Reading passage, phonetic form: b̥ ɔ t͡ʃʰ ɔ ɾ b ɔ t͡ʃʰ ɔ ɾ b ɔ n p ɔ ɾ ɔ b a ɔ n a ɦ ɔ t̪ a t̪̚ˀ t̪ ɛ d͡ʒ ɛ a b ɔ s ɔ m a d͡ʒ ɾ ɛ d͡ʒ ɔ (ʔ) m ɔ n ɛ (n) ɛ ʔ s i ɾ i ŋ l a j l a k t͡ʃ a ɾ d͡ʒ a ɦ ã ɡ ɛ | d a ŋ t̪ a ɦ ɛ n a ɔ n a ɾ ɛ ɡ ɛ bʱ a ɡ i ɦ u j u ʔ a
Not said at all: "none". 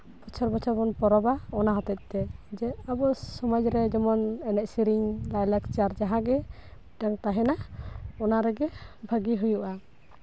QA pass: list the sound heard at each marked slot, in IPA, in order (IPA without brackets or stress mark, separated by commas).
none, n